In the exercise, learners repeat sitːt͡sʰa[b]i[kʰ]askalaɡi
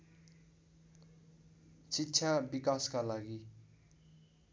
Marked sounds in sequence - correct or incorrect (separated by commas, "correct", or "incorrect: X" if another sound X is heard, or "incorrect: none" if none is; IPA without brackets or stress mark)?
correct, incorrect: k